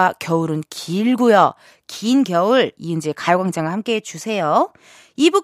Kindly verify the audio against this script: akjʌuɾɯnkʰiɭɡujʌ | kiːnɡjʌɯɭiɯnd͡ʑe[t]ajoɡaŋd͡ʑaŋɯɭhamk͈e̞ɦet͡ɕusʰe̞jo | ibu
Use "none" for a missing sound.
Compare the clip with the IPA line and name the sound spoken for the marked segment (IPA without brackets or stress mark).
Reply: k